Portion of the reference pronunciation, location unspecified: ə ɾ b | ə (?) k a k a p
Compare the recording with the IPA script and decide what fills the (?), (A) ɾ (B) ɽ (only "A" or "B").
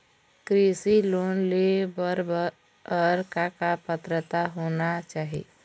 A